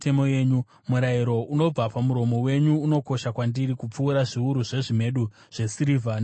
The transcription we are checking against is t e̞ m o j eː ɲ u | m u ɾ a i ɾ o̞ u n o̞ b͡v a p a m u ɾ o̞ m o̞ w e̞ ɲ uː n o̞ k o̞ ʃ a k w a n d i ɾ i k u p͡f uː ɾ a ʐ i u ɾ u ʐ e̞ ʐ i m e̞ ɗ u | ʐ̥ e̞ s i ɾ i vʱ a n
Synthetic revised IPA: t e̞ m o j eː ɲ u | m u ɾ a i ɾ o̞ u n o̞ b͡v a p a m u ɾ o̞ m o̞ w e̞ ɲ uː n o̞ k o̞ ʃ a k w a n d i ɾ i k u p͡f uː ɾ a ʐ i u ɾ u ʐ e̞ ʐ i m e̞ ɗ u | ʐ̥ e̞ s i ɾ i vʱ a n

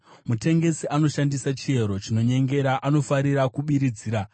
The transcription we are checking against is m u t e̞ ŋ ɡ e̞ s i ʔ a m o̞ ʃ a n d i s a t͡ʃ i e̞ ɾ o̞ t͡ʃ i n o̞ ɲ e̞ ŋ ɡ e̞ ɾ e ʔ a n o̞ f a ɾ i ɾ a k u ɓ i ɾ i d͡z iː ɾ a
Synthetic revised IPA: m u t e̞ ŋ ɡ e̞ s i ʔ a n o̞ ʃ a n d i s a t͡ʃ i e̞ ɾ o̞ t͡ʃ i n o̞ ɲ e̞ ŋ ɡ e̞ ɾ a ʔ a n o̞ f a ɾ i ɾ a k u ɓ i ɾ i d͡z iː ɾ a

